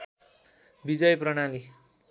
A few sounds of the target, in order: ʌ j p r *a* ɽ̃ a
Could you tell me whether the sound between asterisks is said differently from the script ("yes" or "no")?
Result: yes